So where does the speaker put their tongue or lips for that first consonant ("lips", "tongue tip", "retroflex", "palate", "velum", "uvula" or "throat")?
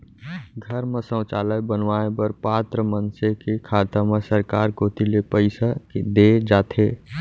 velum